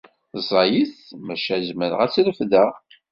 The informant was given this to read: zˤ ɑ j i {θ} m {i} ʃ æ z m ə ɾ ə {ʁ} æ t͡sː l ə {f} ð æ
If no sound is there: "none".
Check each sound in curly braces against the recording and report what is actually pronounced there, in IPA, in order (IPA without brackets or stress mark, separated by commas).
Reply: θ, æ, ʁ, f